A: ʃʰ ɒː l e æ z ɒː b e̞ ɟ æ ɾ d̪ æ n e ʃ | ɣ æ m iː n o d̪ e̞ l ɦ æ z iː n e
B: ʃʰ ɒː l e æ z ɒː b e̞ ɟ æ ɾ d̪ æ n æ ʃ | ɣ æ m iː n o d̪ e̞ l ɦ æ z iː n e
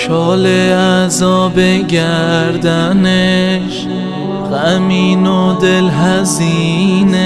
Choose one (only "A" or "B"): A